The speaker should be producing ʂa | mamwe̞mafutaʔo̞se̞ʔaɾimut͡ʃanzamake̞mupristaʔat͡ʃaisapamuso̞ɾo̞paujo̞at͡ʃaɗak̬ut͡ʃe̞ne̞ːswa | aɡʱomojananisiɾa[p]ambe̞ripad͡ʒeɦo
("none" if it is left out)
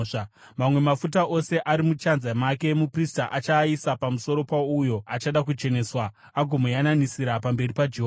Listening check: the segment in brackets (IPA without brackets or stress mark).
p